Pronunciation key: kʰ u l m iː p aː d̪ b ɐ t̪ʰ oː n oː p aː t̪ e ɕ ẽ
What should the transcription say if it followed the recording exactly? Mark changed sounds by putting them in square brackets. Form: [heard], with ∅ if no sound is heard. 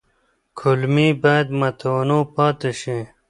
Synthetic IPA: kʰ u l m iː [b] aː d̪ [m] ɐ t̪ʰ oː n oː p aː t̪ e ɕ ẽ